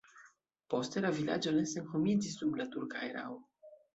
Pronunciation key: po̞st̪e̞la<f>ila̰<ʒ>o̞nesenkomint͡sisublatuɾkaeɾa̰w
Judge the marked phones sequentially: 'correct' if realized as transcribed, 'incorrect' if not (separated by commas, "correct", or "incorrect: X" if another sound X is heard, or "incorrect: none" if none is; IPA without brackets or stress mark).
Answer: incorrect: v, incorrect: d͡ʒ